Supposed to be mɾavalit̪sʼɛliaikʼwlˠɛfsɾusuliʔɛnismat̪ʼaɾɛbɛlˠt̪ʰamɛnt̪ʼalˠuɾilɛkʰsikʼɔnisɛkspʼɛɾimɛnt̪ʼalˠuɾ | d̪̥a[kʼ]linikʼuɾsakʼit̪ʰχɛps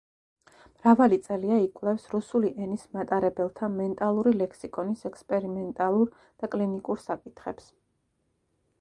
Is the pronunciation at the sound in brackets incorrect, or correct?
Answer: correct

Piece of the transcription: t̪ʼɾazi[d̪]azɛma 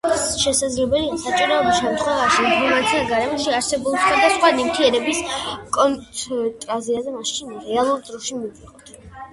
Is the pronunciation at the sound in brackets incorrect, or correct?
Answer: incorrect: none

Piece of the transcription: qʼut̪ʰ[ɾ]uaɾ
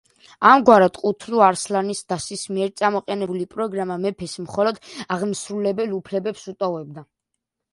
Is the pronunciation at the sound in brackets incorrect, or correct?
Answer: incorrect: l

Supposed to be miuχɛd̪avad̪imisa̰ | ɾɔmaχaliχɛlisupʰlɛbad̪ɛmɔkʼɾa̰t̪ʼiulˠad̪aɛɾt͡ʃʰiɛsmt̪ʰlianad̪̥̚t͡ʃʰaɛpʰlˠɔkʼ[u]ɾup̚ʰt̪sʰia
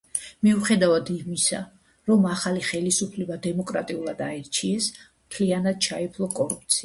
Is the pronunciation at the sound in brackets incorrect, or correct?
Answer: incorrect: ɔ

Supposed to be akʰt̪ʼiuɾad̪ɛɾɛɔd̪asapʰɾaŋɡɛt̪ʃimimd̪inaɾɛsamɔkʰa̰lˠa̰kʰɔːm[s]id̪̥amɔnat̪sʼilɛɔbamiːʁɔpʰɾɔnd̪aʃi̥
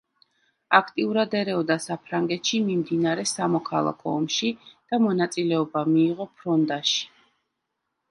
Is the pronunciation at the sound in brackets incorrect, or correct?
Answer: incorrect: ʃ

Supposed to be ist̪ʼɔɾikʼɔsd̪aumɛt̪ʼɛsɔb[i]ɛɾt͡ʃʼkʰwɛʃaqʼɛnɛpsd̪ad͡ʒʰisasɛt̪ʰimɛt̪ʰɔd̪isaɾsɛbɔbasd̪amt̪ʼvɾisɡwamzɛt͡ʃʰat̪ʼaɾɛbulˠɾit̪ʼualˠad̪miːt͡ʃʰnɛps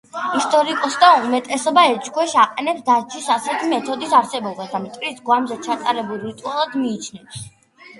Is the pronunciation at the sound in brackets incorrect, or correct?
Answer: incorrect: a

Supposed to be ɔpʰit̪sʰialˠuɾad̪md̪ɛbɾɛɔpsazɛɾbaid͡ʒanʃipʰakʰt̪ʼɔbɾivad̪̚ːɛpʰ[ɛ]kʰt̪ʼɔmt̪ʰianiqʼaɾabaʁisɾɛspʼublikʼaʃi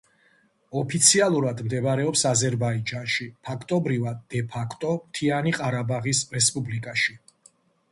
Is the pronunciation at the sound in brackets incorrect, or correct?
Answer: incorrect: a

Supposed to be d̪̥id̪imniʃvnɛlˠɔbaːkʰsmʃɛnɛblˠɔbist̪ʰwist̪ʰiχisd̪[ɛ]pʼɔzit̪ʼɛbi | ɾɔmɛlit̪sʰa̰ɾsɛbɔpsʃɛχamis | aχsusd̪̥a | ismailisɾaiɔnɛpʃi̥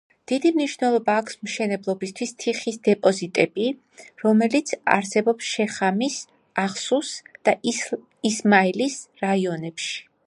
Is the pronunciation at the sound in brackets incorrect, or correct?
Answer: correct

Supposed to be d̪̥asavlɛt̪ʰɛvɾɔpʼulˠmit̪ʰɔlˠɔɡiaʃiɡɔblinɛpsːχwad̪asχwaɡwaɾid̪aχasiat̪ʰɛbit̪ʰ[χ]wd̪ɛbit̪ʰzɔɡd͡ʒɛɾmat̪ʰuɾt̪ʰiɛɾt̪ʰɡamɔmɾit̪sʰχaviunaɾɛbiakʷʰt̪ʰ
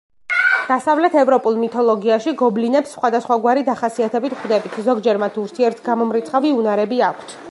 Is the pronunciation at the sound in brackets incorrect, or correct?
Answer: correct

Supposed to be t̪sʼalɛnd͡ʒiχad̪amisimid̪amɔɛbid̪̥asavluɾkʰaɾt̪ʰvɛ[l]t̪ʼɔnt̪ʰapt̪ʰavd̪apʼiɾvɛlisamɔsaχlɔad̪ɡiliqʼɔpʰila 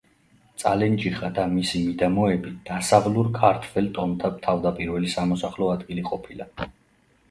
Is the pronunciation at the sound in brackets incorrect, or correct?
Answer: correct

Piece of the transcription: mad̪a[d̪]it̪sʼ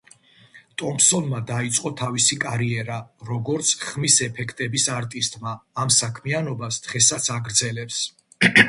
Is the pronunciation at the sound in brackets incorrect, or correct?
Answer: incorrect: none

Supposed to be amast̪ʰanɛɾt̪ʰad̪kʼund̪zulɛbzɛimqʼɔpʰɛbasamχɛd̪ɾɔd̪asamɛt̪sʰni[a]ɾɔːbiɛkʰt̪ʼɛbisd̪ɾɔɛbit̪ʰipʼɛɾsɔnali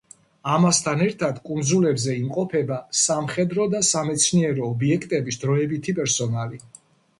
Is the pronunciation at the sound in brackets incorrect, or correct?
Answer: incorrect: ɛ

